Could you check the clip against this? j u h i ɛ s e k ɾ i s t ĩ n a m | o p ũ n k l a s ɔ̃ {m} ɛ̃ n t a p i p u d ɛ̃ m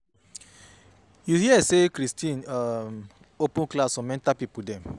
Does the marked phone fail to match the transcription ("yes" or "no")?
no